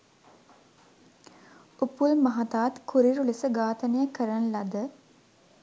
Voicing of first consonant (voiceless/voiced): voiceless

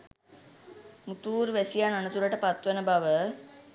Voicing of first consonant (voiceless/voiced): voiced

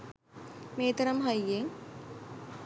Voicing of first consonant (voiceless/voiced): voiced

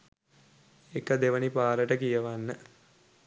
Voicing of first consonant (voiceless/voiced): voiceless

